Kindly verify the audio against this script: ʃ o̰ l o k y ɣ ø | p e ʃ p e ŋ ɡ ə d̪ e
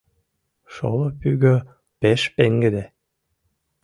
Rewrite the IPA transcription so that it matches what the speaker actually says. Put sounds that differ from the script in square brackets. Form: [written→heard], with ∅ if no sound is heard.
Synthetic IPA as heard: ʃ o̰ l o [k→p] y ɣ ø | p e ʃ p e ŋ ɡ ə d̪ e

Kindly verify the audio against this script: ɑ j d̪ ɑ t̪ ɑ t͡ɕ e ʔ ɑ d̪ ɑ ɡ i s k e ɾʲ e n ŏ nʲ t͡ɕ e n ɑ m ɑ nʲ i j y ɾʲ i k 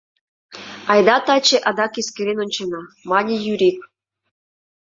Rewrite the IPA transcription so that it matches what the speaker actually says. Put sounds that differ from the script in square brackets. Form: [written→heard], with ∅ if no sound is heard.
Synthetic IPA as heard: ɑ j d̪ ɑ t̪ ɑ t͡ɕ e ʔ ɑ d̪ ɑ [ɡ→k] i s k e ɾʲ e n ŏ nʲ t͡ɕ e n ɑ m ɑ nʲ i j y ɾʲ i k

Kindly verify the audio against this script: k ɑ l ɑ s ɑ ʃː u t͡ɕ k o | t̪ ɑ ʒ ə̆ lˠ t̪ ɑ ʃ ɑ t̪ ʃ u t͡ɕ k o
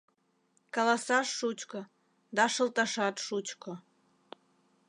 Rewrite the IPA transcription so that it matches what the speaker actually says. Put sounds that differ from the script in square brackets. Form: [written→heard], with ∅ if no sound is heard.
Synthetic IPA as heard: k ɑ l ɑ s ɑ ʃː u t͡ɕ k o | [t̪→d̪] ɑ [ʒ→ʃ] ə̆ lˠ t̪ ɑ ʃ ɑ t̪ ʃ u t͡ɕ k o

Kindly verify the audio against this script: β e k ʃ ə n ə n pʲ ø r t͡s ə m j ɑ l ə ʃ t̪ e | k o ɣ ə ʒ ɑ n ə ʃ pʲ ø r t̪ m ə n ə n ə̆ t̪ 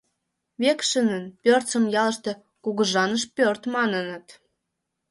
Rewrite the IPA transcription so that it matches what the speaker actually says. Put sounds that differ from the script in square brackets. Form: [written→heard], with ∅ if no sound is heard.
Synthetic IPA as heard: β e k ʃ ə n ə n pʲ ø r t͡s ə m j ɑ l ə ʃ t̪ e | k [o→u] ɣ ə ʒ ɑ n ə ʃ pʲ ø r t̪ m [ə→ɑ] n ə n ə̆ t̪

